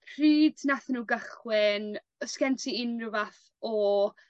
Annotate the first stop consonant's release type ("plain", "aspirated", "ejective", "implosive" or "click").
aspirated